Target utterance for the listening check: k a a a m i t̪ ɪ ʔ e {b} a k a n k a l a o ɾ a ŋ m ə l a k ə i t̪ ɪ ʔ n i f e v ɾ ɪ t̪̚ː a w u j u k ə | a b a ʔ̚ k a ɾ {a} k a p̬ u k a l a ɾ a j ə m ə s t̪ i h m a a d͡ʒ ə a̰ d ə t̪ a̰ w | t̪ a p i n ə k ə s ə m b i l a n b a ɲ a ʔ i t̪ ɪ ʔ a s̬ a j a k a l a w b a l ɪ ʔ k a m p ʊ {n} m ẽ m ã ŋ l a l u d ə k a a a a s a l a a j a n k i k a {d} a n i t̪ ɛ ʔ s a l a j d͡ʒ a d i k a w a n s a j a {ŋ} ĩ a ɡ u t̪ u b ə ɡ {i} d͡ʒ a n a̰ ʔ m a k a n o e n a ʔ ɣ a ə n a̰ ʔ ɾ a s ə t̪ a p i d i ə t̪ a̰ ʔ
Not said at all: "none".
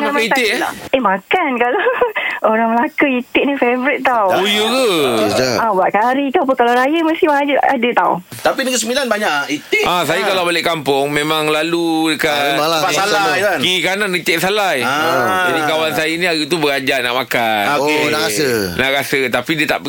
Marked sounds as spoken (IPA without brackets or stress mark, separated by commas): m, i, ŋ, n, n, a